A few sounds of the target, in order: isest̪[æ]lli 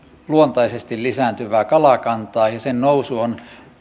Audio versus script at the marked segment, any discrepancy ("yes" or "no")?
yes